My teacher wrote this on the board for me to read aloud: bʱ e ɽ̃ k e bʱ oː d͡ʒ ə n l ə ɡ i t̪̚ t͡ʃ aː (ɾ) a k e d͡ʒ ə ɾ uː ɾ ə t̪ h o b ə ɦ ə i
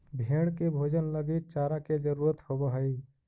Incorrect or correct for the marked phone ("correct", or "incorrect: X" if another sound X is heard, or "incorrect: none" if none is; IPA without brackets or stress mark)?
correct